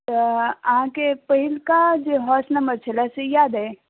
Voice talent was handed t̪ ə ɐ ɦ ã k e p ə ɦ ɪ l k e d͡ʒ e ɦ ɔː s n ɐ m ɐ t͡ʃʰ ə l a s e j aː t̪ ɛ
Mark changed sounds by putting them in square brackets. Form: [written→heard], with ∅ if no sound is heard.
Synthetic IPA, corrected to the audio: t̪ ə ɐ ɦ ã k e p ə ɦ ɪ l k [e→a] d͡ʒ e ɦ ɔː s n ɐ m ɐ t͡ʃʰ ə l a s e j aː [t̪→d̪] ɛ